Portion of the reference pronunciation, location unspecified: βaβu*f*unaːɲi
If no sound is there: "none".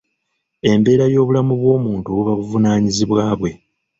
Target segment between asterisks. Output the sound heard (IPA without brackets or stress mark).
v